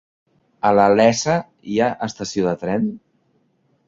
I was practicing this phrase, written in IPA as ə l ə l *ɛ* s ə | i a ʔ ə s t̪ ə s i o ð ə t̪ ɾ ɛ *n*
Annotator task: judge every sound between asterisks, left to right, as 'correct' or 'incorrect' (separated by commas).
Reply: correct, correct